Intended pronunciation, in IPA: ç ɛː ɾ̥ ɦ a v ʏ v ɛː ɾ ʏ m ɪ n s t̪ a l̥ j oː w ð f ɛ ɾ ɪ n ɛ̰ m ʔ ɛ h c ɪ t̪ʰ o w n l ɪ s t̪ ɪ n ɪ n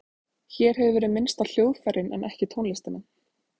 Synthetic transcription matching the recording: ç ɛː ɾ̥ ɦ ɛ v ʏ v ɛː ɾ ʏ m ɪ n s t̪ a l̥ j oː w ð f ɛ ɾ ɪ n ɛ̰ n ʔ ɛ h c ɪ t̪ʰ o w n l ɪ s t̪ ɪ n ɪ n